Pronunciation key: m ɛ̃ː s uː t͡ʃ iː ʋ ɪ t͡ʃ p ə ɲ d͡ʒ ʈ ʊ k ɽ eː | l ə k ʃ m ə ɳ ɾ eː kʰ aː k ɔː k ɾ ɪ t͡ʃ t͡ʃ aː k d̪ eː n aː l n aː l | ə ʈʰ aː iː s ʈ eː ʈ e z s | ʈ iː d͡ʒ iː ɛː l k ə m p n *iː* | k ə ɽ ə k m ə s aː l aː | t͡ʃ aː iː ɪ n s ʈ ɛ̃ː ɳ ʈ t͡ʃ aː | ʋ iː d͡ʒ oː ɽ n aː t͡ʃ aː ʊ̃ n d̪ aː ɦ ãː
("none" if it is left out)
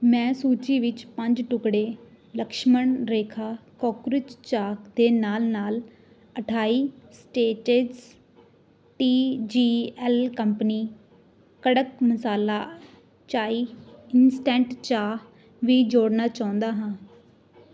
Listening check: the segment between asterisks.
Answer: iː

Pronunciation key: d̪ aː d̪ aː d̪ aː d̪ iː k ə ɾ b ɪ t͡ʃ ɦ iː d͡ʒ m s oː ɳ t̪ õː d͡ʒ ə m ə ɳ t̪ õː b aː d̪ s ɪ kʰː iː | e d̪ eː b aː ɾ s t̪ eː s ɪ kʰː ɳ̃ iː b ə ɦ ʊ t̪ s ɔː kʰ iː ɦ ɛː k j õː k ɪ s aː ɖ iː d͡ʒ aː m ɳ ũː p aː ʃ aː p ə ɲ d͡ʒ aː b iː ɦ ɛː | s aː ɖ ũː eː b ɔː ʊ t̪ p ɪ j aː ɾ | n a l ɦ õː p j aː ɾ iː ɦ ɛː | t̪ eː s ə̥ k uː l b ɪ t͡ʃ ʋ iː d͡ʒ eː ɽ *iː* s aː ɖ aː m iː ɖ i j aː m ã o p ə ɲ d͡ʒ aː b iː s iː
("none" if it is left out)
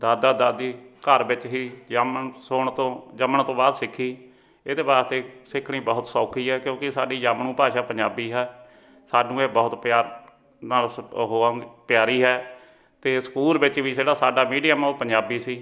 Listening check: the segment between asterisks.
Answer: aː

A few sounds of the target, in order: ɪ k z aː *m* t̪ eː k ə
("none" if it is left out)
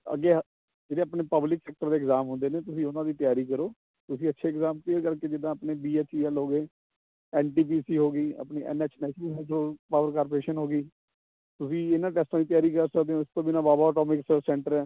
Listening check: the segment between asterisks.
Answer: m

